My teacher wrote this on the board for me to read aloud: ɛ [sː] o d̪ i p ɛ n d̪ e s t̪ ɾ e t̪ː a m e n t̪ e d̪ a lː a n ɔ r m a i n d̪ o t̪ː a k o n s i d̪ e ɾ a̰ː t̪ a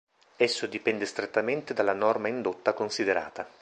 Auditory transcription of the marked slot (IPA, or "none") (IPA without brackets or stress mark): sː